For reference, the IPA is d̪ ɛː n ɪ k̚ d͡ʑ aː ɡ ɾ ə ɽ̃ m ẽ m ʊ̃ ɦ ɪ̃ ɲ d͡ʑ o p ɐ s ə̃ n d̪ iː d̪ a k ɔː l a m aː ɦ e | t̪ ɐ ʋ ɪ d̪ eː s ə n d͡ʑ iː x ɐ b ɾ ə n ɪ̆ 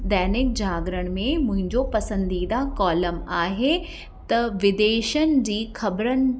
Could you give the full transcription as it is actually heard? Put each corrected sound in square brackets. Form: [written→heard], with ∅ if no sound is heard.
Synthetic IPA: d̪ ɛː n ɪ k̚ d͡ʑ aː ɡ ɾ ə ɽ̃ m ẽ m ʊ̃ ɦ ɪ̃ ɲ d͡ʑ o p ɐ s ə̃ n d̪ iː d̪ a k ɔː l [a→ə] m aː ɦ e | t̪ ɐ ʋ ɪ d̪ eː [s→ʃ] ə n d͡ʑ iː x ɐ b ɾ ə n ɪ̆